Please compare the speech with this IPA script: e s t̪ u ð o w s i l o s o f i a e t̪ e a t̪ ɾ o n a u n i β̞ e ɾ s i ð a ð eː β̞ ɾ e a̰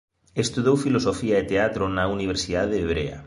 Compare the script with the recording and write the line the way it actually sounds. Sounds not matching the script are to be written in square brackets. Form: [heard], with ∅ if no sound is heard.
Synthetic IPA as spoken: e s t̪ u ð o w [f] i l o s o f i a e t̪ e a t̪ ɾ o n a u n i β̞ e ɾ s i ð a ð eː β̞ ɾ e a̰